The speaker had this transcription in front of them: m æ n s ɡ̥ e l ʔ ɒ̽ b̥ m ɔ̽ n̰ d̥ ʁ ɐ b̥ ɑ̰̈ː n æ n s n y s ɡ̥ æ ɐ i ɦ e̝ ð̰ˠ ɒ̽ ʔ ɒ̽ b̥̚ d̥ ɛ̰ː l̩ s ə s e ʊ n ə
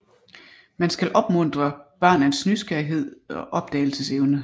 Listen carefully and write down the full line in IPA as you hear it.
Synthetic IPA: m æ n s ɡ̥ æ l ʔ ɒ̽ b̥ m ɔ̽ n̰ d̥ ʁ ɐ b̥ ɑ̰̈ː n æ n s n y s ɡ̥ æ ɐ i ɦ e̝ ð̰ˠ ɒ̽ ʔ ɒ̽ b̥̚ d̥ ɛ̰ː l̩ s ə s e ʊ n ə